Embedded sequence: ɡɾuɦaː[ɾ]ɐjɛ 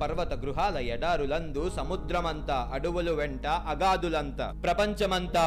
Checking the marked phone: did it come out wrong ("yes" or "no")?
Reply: yes